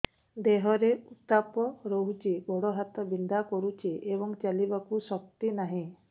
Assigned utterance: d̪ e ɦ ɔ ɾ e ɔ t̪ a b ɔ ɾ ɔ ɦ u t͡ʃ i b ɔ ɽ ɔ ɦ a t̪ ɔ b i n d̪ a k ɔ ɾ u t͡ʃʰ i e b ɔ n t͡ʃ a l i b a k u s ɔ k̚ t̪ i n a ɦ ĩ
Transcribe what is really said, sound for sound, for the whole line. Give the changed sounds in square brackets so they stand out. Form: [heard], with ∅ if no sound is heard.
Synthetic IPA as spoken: d̪ e ɦ ɔ ɾ e [u] t̪ a [p] ɔ ɾ ɔ ɦ u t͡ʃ i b ɔ ɽ ɔ ɦ a t̪ ɔ b i n d̪ a k ɔ ɾ u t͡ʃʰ i e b ɔ [ŋ] t͡ʃ a l i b a k u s ɔ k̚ t̪ i n a ɦ ĩ

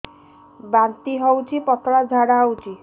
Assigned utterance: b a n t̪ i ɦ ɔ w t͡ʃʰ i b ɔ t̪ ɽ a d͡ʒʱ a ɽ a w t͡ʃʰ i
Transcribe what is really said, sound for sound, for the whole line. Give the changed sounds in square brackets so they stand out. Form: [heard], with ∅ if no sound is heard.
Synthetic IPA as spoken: b a n t̪ i ɦ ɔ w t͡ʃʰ i [p] ɔ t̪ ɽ a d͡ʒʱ a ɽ a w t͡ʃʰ i

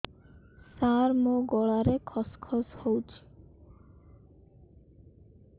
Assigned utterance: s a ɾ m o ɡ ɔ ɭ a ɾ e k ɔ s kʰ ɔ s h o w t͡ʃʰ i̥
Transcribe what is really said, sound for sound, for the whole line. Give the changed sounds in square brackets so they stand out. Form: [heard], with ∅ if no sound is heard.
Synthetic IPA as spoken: s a ɾ m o ɡ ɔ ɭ a ɾ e [kʰ] ɔ s kʰ ɔ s h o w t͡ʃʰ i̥

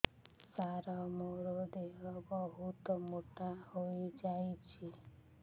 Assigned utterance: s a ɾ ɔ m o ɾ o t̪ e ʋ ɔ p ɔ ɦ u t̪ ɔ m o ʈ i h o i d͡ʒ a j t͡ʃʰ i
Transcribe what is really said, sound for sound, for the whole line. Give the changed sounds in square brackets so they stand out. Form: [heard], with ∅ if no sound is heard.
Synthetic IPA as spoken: s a ɾ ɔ m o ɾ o [d̪] e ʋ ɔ [b] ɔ ɦ u t̪ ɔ m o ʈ [a] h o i d͡ʒ a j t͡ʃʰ i

